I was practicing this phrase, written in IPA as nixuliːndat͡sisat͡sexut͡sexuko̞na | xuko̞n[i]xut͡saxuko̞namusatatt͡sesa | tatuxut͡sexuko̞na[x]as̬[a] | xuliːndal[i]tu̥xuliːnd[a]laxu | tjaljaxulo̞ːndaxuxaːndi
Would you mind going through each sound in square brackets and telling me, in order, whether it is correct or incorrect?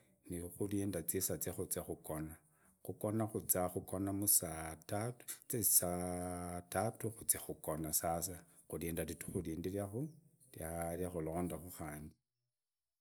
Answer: incorrect, incorrect, correct, correct, incorrect

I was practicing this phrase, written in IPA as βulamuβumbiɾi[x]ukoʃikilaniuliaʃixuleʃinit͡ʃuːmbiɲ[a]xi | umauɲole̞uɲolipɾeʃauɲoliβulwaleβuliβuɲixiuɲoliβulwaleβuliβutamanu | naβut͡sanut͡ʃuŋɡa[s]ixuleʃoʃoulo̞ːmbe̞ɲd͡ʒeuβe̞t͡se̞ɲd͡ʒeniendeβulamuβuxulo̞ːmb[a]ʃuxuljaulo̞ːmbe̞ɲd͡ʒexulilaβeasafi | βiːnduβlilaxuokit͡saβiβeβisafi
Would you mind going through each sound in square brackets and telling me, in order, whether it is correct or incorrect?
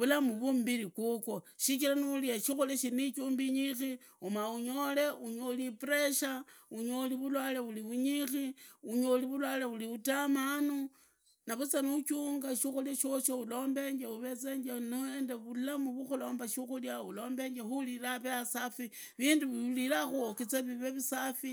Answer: incorrect, incorrect, incorrect, correct

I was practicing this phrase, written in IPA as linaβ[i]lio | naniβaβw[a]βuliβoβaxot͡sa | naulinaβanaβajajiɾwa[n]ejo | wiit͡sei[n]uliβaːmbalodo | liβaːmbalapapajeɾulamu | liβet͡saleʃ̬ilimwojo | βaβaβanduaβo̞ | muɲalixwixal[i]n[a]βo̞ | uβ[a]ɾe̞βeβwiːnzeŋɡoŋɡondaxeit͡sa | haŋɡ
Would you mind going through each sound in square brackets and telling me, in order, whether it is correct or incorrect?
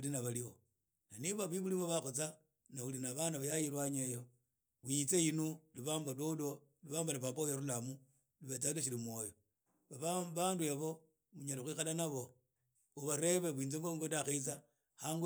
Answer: incorrect, incorrect, incorrect, correct, incorrect, correct, correct

